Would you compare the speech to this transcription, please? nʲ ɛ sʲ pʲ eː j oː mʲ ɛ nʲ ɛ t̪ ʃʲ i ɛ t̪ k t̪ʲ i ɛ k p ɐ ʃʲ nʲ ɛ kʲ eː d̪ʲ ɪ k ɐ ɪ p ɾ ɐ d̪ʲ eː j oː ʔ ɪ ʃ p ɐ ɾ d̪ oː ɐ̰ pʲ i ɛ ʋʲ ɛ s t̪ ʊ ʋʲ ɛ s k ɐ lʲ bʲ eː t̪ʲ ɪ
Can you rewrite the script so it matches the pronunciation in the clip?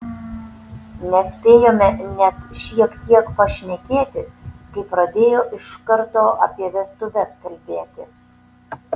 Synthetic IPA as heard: nʲ ɛ sʲ pʲ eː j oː mʲ ɛ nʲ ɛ t̪ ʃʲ i ɛ k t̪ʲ i ɛ k p ɐ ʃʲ nʲ ɛ kʲ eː t̪ʲ ɪ k ɐ ɪ p ɾ ɐ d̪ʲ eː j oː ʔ ɪ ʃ k ɐ ɾ t̪ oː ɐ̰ pʲ i ɛ ʋʲ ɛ s t̪ ʊ ʋʲ ɛ s k ɐ lʲ bʲ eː t̪ʲ ɪ